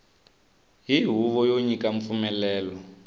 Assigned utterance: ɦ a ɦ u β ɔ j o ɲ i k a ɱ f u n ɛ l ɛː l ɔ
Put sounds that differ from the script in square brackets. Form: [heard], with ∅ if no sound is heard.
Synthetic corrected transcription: ɦ [i] ɦ u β ɔ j o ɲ i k a ɱ f u [m] ɛ l ɛː l ɔ